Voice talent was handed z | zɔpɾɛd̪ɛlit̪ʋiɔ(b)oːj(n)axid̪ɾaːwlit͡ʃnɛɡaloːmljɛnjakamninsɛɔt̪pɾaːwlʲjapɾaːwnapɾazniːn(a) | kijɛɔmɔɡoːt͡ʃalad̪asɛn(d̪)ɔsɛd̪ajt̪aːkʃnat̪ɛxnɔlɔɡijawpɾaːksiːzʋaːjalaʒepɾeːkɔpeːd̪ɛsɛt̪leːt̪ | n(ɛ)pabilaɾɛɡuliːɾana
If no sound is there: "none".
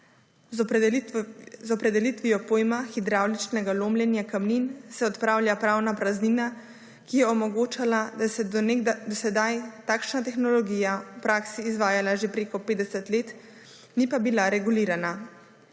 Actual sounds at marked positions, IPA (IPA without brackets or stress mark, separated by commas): p, m, a, d̪, i